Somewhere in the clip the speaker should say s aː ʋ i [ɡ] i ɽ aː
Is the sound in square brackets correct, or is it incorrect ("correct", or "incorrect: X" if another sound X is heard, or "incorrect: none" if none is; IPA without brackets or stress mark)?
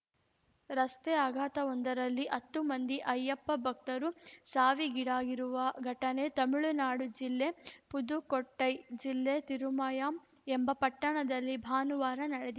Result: correct